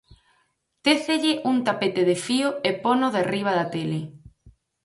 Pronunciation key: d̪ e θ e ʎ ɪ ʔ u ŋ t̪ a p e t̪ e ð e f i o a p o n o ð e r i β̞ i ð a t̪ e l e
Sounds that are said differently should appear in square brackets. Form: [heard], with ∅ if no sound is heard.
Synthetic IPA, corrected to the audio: [t̪] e θ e ʎ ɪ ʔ u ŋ t̪ a p e t̪ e ð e f i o [e] p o n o ð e r i β̞ [a] ð a t̪ e l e